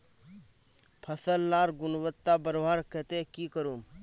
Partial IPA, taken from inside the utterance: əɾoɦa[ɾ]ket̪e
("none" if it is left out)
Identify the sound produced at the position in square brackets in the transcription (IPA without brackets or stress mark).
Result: ɾ